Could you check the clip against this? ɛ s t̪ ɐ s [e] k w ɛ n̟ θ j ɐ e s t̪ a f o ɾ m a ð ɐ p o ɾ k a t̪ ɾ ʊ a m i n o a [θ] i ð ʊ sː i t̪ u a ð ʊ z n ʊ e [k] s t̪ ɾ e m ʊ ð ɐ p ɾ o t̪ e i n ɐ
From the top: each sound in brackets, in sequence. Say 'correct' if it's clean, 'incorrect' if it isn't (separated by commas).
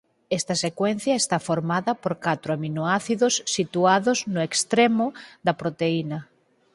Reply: correct, correct, correct